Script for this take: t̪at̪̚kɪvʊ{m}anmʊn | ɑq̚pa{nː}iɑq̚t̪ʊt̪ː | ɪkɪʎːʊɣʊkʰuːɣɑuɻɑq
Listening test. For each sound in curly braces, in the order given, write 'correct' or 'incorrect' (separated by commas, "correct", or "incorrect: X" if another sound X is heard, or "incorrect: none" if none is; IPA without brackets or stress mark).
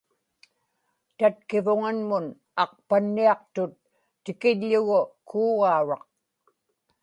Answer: incorrect: ŋ, correct